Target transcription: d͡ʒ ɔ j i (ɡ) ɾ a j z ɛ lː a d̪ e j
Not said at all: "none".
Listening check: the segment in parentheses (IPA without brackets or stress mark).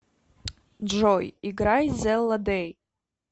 ɡ